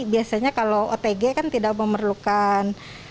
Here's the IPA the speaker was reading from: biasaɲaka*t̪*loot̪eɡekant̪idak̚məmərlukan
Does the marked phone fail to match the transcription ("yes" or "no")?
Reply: yes